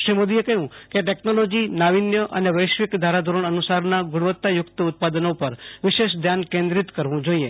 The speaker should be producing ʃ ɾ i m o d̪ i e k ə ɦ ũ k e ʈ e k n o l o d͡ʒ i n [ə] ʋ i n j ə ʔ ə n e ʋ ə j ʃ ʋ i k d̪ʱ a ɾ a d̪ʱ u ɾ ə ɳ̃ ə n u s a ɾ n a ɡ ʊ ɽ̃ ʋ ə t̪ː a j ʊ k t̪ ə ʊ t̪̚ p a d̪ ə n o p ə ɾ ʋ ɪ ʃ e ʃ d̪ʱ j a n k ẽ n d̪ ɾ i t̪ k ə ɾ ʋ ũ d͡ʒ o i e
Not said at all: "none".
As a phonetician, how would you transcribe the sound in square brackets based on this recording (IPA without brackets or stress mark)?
a